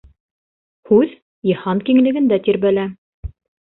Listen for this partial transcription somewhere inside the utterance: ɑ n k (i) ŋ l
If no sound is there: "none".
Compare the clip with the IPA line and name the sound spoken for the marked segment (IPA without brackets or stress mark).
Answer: i